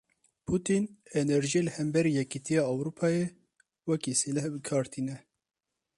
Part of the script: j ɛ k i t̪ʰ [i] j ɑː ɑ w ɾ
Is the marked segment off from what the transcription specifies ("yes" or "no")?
no